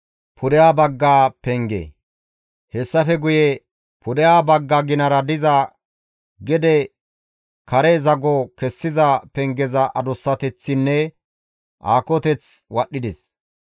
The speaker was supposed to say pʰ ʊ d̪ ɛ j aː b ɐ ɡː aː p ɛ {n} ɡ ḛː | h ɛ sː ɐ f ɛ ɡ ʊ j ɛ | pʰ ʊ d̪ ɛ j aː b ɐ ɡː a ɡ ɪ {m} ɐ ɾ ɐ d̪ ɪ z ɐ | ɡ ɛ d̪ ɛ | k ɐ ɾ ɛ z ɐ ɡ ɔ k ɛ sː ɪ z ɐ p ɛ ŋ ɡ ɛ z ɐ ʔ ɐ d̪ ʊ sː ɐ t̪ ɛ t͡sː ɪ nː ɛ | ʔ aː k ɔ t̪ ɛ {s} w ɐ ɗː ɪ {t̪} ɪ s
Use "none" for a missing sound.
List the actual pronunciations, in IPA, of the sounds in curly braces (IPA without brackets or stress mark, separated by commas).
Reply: ŋ, n, t͡s, d̪